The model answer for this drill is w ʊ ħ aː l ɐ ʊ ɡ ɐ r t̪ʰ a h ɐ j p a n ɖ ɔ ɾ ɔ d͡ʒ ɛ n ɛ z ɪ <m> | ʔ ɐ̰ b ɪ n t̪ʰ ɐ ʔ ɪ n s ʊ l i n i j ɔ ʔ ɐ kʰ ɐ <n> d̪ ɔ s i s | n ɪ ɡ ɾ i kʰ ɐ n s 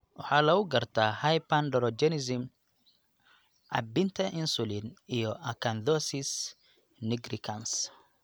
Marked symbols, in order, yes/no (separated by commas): yes, yes